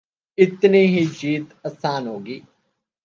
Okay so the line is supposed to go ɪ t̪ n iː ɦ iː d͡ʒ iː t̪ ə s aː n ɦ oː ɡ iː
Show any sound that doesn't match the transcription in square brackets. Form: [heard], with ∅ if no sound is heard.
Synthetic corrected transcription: ɪ t̪ n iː ɦ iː d͡ʒ iː t̪ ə s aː n ɦ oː ɡ iː